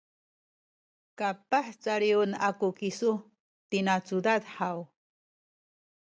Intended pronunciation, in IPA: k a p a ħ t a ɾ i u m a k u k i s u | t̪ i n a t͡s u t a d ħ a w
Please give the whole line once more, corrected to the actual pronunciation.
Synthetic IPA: k a p a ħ t͡s a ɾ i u n a k u k i s u | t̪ i n a t͡s u d a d ħ a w